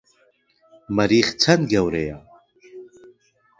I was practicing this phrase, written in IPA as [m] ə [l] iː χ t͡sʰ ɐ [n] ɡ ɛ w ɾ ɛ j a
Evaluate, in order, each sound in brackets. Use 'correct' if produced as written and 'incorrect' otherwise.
correct, incorrect, correct

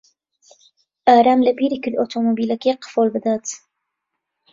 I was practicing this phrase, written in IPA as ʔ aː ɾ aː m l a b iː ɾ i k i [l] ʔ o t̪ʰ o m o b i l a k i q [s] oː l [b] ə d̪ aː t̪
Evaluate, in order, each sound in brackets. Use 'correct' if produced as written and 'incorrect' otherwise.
correct, incorrect, correct

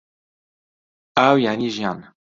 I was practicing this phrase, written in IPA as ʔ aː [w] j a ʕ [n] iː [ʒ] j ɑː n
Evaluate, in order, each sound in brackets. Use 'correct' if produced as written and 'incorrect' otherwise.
correct, correct, correct

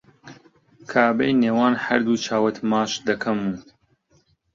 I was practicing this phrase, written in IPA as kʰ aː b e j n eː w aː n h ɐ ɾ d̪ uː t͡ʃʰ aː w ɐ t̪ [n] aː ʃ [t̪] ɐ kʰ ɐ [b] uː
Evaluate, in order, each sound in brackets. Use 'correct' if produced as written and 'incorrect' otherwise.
incorrect, incorrect, incorrect

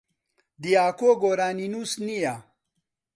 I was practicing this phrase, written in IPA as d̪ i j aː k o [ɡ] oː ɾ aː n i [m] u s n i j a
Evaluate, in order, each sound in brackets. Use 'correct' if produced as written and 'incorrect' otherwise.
correct, incorrect

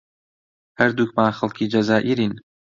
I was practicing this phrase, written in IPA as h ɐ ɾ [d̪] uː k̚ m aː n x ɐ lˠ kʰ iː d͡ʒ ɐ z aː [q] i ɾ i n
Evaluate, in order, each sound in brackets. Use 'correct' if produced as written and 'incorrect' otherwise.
correct, incorrect

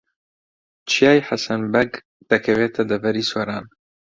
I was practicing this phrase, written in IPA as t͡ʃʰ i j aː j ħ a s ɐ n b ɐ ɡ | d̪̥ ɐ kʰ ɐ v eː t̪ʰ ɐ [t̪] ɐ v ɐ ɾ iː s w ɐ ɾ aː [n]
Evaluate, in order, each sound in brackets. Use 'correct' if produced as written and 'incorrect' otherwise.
incorrect, correct

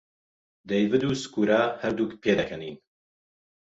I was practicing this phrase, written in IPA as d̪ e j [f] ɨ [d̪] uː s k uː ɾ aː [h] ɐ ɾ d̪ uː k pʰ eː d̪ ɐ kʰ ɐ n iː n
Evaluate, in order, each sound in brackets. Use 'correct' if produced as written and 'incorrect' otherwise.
incorrect, correct, correct

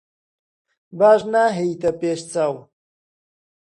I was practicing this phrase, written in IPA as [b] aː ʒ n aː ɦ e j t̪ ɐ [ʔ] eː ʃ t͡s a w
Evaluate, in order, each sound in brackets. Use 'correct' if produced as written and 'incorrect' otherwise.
correct, incorrect

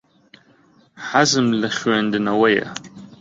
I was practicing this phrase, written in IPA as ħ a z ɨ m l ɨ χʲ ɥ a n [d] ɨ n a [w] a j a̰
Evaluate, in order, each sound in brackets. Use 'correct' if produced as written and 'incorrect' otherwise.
correct, correct

